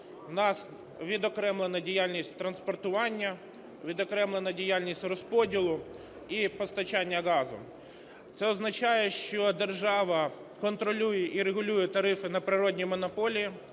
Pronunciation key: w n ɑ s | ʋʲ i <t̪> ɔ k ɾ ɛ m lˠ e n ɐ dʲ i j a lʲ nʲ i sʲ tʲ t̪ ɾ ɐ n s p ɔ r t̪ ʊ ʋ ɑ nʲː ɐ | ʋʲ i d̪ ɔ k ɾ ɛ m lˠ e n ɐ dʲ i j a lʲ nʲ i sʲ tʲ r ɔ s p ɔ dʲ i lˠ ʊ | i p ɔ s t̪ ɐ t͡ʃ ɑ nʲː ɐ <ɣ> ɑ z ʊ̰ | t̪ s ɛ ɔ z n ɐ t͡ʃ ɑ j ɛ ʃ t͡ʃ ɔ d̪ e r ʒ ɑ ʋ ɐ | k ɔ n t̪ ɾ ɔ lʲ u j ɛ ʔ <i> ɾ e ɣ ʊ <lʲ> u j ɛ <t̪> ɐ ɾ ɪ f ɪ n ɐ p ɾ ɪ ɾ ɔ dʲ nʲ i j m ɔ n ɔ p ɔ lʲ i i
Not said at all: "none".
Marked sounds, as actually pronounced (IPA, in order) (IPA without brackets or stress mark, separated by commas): d̪, ɣ, i, lʲ, t̪